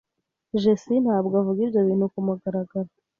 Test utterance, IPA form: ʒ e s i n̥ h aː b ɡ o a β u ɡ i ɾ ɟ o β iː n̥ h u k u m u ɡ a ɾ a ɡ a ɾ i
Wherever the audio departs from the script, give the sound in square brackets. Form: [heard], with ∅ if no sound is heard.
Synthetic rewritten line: ʒ e s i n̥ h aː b ɡ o a [v] u ɡ i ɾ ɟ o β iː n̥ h u k u m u ɡ a ɾ a ɡ a ɾ [a]